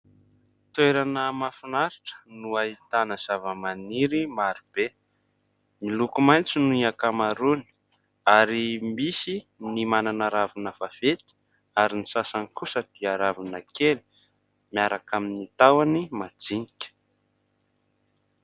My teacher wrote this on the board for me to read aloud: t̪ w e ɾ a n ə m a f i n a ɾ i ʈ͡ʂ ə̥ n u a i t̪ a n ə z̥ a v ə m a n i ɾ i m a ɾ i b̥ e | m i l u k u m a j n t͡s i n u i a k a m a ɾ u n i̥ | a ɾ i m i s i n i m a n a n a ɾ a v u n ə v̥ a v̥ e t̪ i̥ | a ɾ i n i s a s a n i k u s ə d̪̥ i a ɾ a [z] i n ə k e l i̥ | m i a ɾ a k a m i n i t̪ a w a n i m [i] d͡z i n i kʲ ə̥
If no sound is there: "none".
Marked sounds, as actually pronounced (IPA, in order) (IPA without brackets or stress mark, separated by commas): v, a